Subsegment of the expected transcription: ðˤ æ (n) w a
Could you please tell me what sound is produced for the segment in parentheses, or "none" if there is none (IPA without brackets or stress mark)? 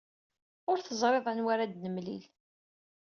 n